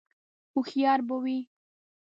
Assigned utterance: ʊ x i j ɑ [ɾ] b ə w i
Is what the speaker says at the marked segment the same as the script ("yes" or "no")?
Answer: yes